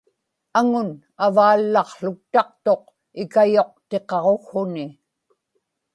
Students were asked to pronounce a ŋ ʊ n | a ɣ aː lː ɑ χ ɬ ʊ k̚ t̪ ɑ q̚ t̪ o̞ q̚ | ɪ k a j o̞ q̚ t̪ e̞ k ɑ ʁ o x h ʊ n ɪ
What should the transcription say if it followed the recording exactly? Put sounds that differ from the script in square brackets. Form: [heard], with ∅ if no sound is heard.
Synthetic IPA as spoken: a ŋ ʊ n | a [v] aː lː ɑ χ ɬ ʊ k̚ t̪ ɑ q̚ t̪ o̞ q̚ | ɪ k a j o̞ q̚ t̪ e̞ [q] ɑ ʁ o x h ʊ n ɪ